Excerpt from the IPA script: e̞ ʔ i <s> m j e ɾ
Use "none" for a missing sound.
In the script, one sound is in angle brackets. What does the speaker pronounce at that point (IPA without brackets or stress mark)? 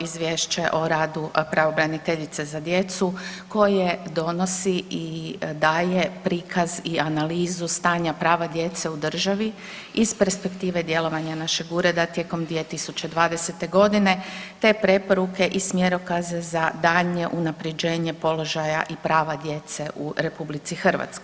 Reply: s